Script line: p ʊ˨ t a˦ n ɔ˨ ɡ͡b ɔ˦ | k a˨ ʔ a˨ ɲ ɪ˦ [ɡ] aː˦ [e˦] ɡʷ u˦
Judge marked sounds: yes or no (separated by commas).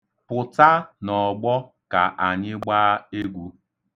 no, yes